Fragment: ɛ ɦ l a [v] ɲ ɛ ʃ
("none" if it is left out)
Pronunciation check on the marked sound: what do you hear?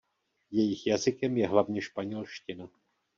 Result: v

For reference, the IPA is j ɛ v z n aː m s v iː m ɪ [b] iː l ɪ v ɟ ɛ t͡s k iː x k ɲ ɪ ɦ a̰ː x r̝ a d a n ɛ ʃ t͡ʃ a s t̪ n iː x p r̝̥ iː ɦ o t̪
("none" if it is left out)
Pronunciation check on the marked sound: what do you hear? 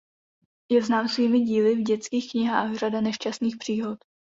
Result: ɟ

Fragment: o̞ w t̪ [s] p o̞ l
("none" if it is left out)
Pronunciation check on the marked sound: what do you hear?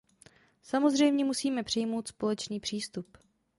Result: s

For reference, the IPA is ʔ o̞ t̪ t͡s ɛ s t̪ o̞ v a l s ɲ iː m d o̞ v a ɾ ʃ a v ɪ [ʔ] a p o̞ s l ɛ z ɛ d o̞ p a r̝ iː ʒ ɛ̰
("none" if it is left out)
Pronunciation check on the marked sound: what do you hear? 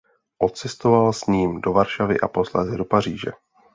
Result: ʔ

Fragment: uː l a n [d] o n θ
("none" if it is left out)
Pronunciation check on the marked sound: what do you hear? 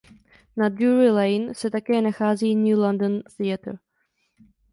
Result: d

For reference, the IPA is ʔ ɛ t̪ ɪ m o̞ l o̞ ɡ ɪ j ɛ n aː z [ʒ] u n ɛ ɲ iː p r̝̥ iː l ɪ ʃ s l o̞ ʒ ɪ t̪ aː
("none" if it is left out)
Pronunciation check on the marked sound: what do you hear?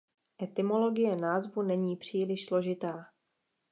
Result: v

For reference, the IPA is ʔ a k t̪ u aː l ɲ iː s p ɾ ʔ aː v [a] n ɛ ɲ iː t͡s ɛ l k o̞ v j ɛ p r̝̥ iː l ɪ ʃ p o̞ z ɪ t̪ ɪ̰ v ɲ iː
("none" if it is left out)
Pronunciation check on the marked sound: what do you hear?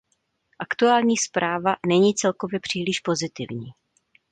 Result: a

